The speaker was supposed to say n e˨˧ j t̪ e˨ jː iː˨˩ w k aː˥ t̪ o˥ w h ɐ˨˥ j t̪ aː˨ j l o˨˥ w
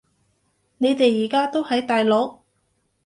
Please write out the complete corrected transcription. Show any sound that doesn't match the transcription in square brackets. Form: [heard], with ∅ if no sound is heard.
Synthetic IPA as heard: n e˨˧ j t̪ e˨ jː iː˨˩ [∅] k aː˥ t̪ o˥ w h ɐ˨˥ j t̪ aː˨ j l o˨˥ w